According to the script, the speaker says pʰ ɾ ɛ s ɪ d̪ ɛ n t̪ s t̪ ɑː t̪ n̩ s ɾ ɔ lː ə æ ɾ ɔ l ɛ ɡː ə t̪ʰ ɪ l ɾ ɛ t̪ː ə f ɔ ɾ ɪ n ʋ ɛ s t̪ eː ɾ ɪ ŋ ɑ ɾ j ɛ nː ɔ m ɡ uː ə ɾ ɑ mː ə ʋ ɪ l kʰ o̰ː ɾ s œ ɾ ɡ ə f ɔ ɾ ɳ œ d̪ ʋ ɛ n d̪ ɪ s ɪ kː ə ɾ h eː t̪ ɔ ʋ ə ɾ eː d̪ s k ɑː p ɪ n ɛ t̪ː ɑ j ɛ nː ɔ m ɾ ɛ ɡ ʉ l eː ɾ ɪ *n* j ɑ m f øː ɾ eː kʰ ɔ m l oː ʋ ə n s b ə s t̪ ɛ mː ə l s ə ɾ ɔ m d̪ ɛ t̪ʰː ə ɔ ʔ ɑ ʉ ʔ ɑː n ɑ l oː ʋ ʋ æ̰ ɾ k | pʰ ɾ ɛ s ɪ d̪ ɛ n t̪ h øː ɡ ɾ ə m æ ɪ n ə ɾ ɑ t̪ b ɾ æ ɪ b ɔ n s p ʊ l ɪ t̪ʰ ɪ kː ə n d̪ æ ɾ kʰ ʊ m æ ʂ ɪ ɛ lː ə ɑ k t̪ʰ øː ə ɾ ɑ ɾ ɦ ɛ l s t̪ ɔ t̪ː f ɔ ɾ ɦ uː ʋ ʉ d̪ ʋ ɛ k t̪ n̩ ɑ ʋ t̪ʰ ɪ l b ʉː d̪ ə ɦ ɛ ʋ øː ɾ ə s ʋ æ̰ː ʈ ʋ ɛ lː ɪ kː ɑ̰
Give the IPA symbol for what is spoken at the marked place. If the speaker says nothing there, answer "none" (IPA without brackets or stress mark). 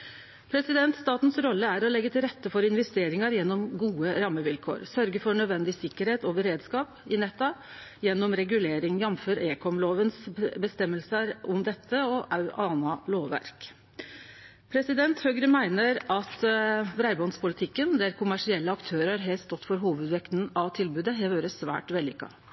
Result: ŋ